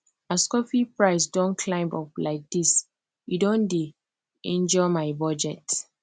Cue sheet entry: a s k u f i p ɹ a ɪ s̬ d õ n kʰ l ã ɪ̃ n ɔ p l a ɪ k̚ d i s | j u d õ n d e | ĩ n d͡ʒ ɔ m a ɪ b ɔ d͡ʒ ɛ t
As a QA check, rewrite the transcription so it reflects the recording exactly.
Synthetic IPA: a s k ɔ f i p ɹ a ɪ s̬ d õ n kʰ l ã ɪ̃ m ɔ p l a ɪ k̚ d i s | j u d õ n d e | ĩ n d͡ʒ ɔ m a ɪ b ɔ d͡ʒ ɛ t